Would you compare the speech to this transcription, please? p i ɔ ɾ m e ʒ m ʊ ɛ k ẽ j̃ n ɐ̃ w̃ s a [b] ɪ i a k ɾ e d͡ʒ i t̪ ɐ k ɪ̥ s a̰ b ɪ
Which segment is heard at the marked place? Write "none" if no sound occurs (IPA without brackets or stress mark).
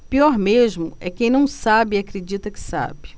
b